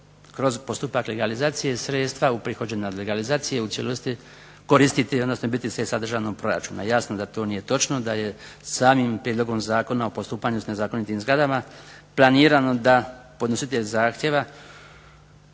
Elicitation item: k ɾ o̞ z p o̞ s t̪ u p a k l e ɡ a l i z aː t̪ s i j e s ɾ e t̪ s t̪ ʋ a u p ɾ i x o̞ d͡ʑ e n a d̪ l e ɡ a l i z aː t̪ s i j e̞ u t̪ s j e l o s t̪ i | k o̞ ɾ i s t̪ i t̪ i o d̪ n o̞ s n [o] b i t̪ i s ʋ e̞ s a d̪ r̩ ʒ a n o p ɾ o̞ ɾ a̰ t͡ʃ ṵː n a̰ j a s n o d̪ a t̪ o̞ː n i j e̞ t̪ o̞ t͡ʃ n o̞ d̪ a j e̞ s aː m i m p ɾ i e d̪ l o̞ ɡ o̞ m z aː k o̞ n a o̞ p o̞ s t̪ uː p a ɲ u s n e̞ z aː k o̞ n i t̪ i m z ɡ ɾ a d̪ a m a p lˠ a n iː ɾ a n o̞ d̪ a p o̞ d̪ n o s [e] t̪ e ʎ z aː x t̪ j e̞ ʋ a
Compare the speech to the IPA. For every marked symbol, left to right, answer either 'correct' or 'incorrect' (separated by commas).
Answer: correct, incorrect